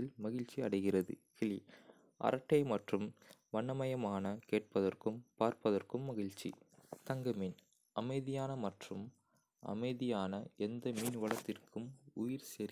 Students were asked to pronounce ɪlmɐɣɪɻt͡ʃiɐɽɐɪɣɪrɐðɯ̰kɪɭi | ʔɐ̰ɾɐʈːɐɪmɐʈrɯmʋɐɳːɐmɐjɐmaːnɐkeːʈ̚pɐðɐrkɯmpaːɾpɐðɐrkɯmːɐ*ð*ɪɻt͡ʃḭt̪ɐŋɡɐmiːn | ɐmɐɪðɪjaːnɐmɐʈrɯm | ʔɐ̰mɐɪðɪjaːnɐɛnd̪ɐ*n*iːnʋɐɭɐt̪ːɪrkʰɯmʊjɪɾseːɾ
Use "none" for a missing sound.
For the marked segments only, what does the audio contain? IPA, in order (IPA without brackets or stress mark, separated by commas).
ɣ, m